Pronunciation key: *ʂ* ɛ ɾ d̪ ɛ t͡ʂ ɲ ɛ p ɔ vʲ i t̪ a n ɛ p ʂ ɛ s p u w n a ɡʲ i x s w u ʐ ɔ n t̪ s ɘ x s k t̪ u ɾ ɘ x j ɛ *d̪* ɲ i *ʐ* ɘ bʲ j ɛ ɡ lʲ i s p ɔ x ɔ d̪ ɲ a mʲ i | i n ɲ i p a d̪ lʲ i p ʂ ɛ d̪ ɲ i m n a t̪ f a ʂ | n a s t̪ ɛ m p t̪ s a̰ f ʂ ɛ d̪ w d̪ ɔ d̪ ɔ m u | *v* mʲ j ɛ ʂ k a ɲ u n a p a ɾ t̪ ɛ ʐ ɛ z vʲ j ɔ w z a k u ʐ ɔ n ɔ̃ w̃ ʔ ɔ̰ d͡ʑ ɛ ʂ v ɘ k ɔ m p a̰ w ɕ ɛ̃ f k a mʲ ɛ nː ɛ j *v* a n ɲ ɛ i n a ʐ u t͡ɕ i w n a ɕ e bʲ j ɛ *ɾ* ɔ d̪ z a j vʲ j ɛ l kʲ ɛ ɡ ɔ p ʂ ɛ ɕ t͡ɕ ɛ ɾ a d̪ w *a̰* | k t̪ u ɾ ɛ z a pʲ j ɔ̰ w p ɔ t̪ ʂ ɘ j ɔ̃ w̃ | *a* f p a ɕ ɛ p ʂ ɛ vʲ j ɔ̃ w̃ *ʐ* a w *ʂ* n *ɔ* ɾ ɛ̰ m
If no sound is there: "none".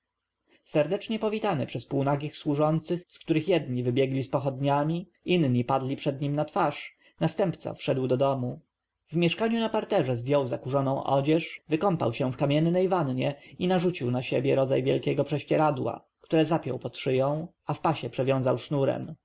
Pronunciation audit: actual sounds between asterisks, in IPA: s, d̪, v, v, v, ɾ, a̰, a, z, ʂ, u

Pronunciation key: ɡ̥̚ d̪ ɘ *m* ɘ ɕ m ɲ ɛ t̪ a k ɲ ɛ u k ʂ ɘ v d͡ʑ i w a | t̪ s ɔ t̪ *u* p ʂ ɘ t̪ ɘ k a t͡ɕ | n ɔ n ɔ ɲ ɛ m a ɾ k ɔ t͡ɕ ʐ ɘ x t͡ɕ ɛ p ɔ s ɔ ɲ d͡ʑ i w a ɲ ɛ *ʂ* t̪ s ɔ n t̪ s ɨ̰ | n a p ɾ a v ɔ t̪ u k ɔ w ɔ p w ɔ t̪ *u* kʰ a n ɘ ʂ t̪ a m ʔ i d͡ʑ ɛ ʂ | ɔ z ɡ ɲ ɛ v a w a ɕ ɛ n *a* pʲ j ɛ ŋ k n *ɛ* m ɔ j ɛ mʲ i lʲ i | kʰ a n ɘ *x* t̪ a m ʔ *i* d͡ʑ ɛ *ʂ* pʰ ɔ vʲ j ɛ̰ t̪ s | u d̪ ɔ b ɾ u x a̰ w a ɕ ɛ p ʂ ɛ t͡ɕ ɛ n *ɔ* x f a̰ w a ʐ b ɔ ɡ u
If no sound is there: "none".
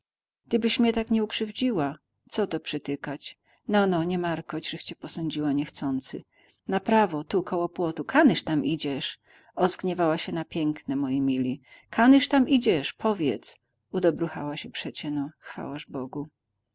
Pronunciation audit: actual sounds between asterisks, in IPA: b, ɔ, x, u, a, ɛ, ʂ, i, ʂ, ɔ

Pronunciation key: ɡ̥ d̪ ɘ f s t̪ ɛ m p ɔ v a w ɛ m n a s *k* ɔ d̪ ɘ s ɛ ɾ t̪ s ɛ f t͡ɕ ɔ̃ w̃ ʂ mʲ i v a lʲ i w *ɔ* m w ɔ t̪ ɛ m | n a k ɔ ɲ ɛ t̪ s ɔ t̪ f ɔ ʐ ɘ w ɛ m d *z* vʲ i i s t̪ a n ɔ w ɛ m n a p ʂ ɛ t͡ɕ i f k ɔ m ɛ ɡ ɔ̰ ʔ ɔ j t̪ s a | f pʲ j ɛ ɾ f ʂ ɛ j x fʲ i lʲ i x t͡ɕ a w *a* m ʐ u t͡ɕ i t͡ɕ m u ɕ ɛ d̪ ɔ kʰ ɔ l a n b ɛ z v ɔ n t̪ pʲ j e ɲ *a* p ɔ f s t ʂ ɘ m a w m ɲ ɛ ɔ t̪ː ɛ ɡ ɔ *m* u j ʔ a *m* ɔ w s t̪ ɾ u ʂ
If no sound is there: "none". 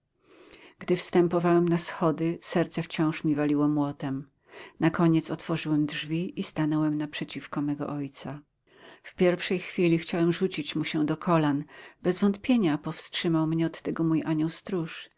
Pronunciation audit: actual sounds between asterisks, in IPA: x, ɔ, ʐ, ɛ, a, m, ɲ

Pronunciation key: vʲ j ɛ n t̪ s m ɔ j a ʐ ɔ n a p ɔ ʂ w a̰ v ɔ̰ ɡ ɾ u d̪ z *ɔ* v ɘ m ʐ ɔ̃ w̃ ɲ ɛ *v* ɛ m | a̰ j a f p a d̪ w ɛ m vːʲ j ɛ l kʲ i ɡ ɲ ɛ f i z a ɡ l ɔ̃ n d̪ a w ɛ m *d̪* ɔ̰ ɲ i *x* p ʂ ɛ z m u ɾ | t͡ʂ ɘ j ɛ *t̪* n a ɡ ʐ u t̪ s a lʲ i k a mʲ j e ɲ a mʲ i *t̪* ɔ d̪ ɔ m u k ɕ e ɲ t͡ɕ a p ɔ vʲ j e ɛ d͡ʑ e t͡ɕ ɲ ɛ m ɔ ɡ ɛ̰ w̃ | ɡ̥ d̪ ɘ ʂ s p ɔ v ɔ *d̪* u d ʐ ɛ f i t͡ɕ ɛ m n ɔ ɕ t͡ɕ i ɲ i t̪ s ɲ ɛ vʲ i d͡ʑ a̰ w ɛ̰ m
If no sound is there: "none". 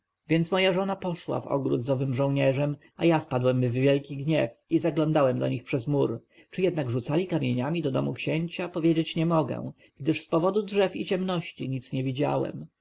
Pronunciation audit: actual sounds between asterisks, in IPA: ɔ, ʐ, d̪, x, d̪, d̪, d̪

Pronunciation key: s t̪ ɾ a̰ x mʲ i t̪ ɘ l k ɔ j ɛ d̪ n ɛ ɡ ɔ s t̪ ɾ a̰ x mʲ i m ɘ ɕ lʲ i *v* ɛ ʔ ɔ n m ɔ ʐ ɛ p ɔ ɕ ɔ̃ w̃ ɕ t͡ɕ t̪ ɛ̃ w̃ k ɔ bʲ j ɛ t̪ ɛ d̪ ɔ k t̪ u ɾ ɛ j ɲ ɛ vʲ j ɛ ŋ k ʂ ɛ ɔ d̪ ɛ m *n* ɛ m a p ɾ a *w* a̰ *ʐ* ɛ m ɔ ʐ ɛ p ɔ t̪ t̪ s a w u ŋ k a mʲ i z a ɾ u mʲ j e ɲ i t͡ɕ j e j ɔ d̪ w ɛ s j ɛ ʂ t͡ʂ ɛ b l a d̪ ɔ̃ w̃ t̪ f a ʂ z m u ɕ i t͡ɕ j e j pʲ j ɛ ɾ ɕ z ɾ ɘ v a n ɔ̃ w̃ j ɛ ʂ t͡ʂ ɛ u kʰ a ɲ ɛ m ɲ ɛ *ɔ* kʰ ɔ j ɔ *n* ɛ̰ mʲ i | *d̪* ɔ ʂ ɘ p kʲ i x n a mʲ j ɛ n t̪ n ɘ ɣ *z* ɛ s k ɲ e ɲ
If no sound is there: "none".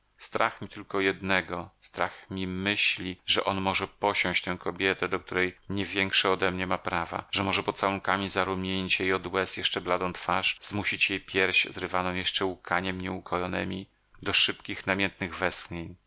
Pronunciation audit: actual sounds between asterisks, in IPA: ʐ, ɲ, v, ʐ, u, n, d̪, v

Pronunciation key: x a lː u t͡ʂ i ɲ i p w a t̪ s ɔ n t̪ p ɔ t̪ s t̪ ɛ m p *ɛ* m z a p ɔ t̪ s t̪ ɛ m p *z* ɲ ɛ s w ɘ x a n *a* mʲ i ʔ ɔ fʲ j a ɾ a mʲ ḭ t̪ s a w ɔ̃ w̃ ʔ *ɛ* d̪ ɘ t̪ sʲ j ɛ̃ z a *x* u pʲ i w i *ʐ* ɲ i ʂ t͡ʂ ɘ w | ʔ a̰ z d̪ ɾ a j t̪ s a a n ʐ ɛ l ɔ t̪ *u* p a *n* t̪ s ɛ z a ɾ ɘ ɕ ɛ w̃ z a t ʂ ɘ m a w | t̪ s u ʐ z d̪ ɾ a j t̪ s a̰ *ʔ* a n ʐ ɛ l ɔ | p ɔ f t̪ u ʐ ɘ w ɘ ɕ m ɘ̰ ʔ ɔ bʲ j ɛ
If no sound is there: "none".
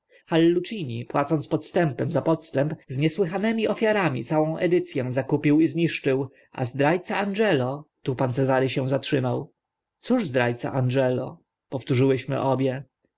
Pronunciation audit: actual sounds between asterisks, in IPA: ɛ, z, ɛ, ɛ, k, z, u, n, ʔ

